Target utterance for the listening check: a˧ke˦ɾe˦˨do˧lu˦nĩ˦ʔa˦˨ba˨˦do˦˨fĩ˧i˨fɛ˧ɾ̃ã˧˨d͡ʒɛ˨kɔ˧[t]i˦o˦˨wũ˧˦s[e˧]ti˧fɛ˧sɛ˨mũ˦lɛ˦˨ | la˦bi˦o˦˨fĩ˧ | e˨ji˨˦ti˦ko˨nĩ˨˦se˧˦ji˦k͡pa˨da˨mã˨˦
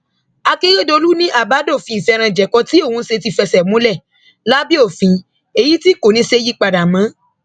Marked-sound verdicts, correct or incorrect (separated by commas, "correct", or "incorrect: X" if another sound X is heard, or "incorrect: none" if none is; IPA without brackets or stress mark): correct, correct